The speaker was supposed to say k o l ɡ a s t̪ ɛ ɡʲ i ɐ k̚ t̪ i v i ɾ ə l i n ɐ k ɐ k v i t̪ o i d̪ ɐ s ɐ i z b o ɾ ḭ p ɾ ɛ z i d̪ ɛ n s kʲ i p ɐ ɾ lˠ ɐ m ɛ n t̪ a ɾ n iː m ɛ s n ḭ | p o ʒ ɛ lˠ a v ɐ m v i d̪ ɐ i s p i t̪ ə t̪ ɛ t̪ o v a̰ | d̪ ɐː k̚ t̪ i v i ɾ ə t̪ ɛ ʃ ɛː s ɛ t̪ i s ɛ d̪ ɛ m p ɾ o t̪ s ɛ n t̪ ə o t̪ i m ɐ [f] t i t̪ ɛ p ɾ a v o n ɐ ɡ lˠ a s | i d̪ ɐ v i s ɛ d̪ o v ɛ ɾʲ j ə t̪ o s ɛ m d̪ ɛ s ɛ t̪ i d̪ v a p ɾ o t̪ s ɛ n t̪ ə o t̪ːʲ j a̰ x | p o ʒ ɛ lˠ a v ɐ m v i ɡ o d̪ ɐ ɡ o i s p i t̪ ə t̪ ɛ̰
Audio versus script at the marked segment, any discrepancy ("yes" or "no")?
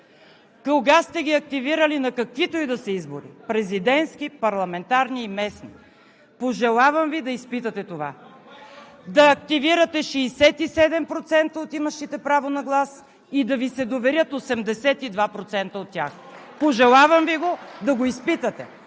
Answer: yes